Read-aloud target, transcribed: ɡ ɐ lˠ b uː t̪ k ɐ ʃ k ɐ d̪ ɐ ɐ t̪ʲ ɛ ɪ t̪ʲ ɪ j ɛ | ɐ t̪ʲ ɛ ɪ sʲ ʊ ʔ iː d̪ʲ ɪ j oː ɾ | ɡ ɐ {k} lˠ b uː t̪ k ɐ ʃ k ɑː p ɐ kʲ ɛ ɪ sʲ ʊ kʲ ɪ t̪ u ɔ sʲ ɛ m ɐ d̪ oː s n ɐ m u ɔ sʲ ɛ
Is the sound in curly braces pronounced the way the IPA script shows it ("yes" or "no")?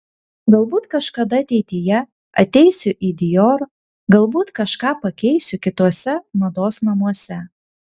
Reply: no